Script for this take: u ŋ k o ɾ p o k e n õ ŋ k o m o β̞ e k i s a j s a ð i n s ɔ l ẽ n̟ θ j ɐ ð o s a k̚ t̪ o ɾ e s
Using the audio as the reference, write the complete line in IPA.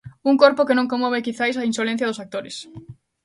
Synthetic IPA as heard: u ŋ k o ɾ p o k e n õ ŋ k o m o β̞ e k i θ a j s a i n s o l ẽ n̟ θ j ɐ ð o s a k̚ t̪ o ɾ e s